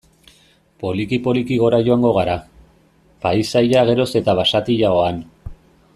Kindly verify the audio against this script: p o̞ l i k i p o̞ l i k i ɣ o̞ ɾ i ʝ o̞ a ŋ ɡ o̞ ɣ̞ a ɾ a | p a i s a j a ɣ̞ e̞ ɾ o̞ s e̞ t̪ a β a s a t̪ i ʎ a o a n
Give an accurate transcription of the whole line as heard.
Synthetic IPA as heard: p o̞ l i k i p o̞ l i k i ɣ o̞ ɾ a ʝ o̞ a ŋ ɡ o̞ ɣ̞ a ɾ a | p a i s a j a ɣ̞ e̞ ɾ o̞ s e̞ t̪ a β a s a t̪ i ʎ a o a n